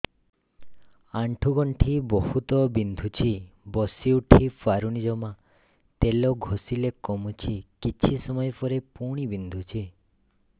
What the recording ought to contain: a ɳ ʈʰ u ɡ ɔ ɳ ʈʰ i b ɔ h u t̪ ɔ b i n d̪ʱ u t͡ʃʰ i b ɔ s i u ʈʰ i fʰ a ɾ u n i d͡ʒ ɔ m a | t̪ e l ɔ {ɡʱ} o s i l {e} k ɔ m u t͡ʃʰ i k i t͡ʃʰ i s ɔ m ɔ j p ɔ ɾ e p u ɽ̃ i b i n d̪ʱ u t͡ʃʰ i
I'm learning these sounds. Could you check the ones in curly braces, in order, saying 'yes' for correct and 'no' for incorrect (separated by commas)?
yes, yes